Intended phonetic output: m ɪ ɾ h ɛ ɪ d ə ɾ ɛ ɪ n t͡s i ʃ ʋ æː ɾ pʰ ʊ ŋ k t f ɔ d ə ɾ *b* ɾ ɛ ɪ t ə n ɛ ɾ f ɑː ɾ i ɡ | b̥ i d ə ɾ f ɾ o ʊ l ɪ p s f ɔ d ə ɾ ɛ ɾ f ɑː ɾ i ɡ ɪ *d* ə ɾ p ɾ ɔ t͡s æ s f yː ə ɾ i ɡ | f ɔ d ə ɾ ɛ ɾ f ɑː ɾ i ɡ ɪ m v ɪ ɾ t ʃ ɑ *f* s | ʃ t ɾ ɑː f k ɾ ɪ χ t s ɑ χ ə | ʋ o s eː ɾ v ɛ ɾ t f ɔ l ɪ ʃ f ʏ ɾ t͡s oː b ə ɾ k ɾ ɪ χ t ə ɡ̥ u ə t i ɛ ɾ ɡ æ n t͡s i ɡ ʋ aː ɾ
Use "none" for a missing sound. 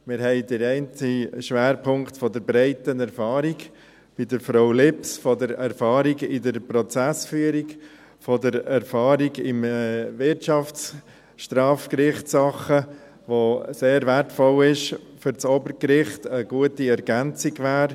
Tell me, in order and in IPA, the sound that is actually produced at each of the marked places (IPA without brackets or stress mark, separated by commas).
b, d, f